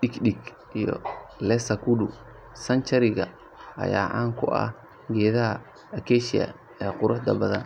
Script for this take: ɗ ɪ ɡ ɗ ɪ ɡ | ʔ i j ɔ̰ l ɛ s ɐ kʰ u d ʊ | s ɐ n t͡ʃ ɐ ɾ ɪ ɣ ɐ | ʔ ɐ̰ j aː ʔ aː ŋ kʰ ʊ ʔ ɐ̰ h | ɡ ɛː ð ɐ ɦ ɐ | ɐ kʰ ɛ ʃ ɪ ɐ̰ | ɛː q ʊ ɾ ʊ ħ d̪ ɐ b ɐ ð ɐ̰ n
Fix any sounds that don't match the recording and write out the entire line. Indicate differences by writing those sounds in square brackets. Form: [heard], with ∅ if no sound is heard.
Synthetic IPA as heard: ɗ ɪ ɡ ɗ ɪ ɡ | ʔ i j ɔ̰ l ɛ s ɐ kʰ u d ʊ | s ɐ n t͡ʃ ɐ ɾ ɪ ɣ ɐ | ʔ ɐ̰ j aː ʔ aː ŋ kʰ ʊ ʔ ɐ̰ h | ɡ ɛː ð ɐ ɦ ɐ | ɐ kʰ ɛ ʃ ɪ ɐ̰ | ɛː q ʊ ɾ ʊ ħ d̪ ɐ b ɐ ð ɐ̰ n